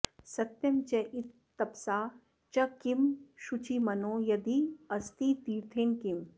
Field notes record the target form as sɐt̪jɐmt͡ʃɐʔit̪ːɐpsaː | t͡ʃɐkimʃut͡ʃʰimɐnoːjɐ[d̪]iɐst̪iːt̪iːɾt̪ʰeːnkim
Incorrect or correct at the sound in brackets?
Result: correct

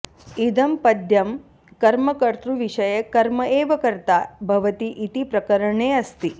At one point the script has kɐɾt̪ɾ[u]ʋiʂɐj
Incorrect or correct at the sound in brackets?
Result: correct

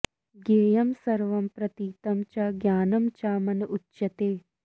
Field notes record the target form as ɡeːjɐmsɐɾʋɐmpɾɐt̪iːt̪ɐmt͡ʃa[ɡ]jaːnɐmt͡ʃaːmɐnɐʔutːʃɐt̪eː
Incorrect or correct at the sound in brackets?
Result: correct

